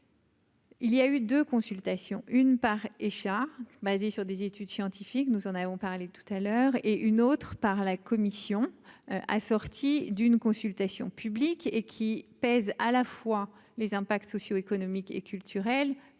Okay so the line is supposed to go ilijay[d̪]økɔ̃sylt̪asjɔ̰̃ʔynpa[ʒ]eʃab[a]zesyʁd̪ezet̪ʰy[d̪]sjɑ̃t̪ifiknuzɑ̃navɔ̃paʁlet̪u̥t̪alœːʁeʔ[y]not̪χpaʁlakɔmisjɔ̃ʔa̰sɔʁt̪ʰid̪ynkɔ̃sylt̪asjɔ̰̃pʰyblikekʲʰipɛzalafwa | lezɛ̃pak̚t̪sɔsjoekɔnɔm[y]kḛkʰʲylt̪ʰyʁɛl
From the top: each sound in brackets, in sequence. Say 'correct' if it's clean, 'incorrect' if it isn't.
correct, incorrect: ʁ, correct, correct, correct, incorrect: i

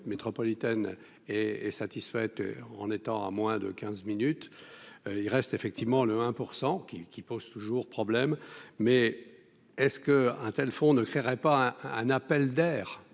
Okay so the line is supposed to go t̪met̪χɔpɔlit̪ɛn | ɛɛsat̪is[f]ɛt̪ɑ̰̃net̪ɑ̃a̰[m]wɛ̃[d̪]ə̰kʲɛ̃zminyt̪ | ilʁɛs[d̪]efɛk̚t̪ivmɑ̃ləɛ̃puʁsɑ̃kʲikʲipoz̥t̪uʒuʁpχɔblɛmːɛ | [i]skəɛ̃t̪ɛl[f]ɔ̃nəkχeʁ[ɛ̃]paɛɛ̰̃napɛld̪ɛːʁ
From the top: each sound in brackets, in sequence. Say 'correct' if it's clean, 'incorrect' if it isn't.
correct, correct, correct, incorrect: t̪, incorrect: ɛ, correct, incorrect: ɛ

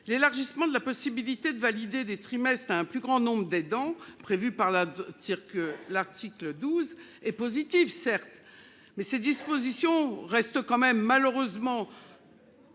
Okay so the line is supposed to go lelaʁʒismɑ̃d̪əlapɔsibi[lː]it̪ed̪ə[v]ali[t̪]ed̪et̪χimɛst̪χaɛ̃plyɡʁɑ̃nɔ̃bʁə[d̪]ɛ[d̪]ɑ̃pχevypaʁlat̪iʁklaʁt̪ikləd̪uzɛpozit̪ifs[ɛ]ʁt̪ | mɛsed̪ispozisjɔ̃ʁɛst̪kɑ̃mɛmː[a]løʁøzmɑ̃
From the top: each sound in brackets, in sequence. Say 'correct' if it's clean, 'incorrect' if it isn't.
incorrect: l, correct, incorrect: d̪, correct, correct, correct, correct

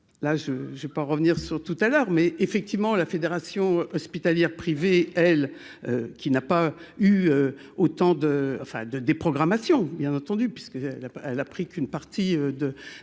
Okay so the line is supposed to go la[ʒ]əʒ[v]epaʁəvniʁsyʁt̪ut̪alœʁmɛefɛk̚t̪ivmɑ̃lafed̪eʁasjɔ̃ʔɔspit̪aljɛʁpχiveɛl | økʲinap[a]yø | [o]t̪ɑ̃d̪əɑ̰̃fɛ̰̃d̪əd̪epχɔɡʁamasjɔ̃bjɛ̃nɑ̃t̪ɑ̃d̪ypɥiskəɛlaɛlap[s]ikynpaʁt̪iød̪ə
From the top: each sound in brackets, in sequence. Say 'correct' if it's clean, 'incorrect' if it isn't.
correct, correct, correct, correct, incorrect: χ

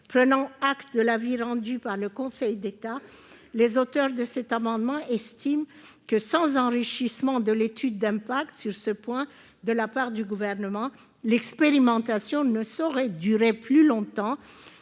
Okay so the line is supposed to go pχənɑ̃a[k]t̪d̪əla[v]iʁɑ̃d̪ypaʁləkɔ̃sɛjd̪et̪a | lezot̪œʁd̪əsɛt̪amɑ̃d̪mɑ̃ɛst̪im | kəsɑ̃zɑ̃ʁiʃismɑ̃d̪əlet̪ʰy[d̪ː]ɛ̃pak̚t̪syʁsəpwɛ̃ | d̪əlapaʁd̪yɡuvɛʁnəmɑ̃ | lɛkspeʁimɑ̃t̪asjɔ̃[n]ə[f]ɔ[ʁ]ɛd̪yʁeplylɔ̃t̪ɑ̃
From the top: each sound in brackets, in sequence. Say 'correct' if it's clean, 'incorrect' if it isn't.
correct, correct, correct, correct, incorrect: s, correct

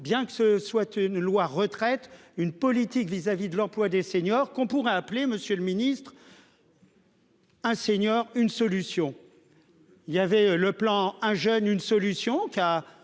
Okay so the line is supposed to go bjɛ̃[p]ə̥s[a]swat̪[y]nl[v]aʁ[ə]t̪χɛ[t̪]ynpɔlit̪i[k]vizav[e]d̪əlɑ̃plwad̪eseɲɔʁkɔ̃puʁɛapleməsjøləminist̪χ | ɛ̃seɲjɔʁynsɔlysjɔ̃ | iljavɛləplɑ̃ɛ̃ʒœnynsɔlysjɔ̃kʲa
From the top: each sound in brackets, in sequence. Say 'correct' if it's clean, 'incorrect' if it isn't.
incorrect: k, incorrect: ə, correct, incorrect: w, correct, correct, correct, incorrect: i

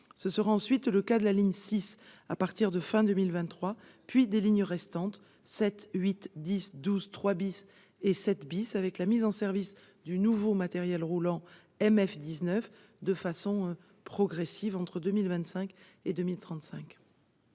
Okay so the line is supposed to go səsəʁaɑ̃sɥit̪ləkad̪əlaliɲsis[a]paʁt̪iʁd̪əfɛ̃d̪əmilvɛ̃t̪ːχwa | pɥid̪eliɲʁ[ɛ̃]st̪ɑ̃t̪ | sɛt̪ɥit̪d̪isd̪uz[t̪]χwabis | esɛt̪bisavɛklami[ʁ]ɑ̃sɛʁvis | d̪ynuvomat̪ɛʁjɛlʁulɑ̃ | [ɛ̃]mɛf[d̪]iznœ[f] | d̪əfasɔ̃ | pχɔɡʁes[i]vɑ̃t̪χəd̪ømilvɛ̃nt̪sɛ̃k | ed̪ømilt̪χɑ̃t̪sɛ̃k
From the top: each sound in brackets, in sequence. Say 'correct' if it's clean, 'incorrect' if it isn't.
correct, incorrect: ɛ, correct, incorrect: z, incorrect: ɛ, correct, correct, correct

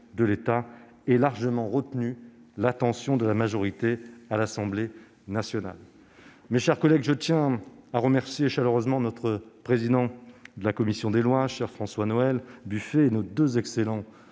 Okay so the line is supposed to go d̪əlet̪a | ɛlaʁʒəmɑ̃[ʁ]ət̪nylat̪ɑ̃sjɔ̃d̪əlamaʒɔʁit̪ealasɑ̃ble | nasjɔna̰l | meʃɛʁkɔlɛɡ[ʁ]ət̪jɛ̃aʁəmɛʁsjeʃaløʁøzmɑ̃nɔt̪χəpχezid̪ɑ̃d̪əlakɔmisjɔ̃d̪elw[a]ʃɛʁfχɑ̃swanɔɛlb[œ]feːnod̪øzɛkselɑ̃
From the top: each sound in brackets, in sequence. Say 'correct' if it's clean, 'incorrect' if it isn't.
correct, incorrect: ʒ, correct, incorrect: y

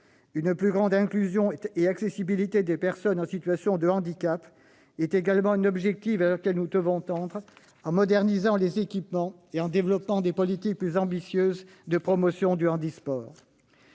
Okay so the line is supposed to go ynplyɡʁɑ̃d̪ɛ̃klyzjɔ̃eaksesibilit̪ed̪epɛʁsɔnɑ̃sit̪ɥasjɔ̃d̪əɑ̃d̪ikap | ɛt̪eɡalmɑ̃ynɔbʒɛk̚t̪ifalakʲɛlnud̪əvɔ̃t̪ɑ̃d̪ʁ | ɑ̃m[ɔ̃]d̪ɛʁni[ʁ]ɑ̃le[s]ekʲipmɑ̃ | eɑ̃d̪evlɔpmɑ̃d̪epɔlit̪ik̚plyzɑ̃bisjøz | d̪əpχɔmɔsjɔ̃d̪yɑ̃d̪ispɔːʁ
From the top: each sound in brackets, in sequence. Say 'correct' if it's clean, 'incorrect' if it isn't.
incorrect: ɔ, incorrect: z, incorrect: z

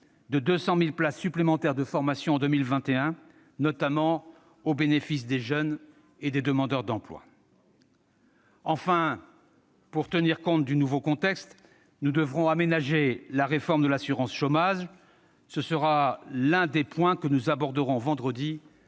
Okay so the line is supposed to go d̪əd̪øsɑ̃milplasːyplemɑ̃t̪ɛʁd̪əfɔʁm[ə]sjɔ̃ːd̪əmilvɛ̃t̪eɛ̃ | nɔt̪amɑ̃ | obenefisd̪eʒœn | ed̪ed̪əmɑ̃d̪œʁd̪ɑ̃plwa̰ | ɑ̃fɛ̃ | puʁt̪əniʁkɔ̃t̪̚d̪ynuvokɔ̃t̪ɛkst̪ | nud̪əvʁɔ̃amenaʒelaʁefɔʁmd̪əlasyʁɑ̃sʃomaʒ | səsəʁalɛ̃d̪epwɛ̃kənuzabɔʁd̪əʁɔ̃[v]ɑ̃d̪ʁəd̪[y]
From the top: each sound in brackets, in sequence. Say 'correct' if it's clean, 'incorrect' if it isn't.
incorrect: a, correct, incorrect: i

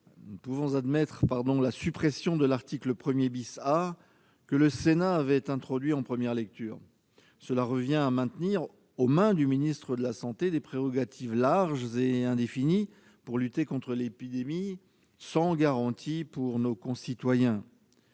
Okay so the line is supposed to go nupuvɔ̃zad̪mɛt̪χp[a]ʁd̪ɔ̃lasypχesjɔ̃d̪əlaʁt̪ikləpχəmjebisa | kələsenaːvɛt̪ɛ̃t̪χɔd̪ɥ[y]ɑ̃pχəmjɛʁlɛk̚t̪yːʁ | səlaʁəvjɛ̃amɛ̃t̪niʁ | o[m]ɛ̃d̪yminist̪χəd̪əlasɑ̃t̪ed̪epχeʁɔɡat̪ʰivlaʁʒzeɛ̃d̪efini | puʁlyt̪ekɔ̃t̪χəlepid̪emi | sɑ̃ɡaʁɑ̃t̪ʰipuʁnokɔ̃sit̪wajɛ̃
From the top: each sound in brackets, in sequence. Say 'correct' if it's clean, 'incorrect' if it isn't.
correct, incorrect: i, correct

